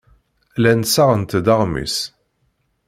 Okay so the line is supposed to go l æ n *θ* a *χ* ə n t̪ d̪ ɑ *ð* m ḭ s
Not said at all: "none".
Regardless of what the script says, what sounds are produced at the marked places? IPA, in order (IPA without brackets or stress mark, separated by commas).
s, ʁ, ʁ